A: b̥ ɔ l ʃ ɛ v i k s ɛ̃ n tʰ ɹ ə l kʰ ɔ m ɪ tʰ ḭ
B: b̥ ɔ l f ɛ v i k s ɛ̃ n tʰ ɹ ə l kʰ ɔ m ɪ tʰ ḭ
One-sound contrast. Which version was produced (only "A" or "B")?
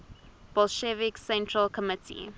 A